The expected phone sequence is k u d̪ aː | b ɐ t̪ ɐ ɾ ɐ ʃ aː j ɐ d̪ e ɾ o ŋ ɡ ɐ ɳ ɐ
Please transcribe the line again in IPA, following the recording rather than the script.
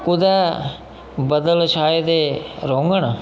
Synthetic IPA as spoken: k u d̪ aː | b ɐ d̪ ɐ l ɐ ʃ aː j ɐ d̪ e ɾ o ŋ ɡ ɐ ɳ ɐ